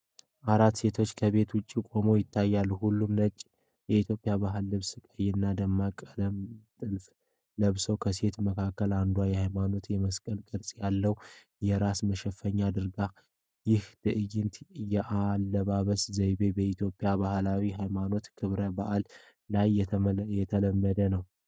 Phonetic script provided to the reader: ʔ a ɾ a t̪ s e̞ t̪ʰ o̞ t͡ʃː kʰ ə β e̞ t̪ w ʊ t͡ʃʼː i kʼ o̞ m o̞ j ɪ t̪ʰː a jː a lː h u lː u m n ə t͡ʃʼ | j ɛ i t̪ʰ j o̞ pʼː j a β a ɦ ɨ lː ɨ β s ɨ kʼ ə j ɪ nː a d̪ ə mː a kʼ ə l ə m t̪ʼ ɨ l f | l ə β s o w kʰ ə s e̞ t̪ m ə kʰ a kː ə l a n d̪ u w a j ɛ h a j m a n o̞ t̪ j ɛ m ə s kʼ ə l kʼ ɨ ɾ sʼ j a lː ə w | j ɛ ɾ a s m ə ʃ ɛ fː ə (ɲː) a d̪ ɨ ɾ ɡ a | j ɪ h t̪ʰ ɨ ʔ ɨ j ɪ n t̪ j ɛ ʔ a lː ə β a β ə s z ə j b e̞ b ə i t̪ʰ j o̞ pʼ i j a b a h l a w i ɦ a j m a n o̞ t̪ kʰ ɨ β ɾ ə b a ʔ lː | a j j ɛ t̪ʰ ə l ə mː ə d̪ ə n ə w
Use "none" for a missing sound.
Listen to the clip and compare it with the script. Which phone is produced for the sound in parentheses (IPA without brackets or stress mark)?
ɲː